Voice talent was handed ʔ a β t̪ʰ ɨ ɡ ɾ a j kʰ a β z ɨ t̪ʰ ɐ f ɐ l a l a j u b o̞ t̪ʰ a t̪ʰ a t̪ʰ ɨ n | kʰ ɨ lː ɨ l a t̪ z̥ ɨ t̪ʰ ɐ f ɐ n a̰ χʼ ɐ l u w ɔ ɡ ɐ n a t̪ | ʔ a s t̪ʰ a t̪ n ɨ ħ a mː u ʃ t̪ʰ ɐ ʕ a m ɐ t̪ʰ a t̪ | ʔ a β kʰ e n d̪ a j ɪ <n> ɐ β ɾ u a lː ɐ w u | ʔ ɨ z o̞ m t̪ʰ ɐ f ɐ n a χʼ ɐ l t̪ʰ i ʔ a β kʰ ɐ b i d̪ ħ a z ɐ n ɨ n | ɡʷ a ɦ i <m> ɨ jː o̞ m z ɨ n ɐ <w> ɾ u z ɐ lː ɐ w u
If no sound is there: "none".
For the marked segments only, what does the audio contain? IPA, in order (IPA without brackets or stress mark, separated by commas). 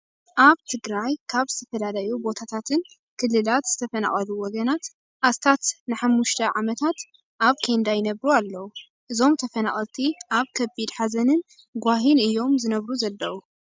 n, n, β